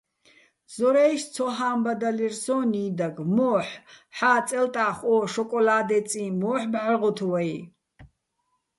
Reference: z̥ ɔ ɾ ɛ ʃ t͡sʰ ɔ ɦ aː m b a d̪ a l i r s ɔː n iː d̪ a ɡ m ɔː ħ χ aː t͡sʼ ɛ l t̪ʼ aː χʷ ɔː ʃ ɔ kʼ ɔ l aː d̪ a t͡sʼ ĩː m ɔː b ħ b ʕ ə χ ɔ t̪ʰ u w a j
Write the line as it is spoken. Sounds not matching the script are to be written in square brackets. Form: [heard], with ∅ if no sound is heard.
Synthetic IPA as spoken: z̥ ɔ ɾ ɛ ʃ t͡sʰ ɔ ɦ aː m b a d̪ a l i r s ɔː n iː d̪ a ɡ m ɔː ħ [ħ] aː t͡sʼ ɛ l t̪ʼ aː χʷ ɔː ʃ ɔ kʼ ɔ l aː d̪ [ɛ] t͡sʼ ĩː m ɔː [∅] ħ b ʕ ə [ʁ] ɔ t̪ʰ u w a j